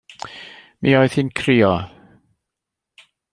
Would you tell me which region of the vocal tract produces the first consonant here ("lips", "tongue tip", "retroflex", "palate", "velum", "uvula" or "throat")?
lips